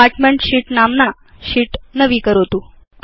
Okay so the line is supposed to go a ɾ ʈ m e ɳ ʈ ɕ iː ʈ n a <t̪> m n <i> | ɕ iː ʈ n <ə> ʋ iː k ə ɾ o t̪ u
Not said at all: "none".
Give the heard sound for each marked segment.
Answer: none, a, ə

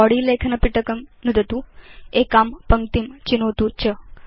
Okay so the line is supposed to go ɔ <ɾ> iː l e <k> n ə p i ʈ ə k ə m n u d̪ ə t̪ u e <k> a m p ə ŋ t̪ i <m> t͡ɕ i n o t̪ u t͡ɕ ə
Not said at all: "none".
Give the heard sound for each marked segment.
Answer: ɽ, kʰ, k, m

